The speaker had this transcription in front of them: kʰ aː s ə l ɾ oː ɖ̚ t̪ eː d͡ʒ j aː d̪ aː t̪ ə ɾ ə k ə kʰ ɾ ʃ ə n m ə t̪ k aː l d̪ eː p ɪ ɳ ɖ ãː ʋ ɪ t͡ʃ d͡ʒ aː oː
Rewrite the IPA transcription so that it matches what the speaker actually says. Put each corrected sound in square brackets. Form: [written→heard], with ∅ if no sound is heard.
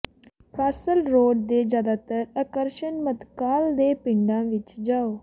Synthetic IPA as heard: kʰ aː s ə l ɾ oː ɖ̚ [t̪→d̪] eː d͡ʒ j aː d̪ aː t̪ ə ɾ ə k ə [kʰ→∅] ɾ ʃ ə n m ə t̪ k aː l d̪ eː p ɪ ɳ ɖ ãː ʋ ɪ t͡ʃ d͡ʒ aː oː